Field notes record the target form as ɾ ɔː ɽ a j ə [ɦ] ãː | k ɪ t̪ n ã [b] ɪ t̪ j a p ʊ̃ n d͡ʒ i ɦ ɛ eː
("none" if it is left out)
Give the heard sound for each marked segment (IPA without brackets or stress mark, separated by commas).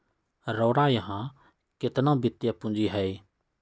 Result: ɦ, b